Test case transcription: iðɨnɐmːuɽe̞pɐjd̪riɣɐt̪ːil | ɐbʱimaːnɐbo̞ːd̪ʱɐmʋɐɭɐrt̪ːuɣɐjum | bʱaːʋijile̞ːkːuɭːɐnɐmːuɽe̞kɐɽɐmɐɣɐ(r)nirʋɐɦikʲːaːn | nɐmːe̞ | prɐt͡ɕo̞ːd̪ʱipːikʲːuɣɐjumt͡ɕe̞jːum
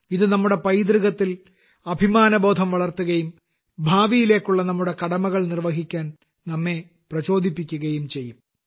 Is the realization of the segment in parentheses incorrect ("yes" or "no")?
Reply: yes